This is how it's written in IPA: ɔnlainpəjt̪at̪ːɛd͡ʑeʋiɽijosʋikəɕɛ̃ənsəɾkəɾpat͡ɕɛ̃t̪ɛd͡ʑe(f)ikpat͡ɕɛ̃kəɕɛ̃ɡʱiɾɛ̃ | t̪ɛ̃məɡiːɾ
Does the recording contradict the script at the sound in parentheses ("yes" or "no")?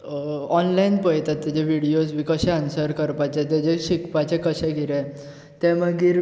yes